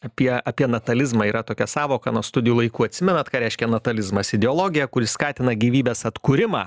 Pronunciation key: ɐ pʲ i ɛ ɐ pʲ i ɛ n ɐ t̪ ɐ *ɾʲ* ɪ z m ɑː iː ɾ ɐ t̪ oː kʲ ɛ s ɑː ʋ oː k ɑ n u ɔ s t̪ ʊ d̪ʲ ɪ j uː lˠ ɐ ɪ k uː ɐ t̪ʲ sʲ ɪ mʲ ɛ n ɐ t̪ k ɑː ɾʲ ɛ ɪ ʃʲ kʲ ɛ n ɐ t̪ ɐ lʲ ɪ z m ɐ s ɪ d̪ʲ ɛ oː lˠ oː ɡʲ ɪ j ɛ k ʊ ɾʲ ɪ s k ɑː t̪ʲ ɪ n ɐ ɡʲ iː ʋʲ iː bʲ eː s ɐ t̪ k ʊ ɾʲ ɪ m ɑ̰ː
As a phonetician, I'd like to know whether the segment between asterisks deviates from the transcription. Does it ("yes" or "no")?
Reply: yes